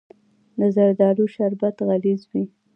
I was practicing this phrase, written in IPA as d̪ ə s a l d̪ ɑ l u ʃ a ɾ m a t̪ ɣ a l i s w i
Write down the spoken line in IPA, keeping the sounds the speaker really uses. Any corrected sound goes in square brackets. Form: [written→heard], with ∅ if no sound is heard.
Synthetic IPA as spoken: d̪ ə [s→z] a [l→ɾ] d̪ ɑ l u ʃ a ɾ [m→b] a t̪ ɣ a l i [s→z] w i